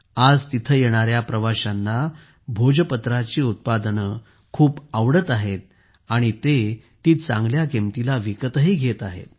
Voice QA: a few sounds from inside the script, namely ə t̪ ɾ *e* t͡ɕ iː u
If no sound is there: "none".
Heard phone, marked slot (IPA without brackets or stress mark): a